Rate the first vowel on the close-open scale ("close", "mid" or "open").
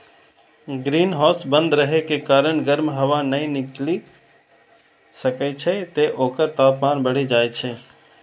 close